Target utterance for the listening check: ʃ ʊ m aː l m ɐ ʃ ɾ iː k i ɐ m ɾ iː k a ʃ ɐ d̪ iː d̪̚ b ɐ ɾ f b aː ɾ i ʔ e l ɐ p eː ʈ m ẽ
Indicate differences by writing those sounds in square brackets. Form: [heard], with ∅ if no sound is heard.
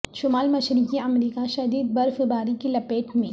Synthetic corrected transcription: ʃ ʊ m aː l m ɐ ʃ ɾ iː k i ɐ m ɾ iː k a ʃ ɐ d̪ iː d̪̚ b ɐ ɾ f b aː ɾ i [k] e l ɐ p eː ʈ m ẽ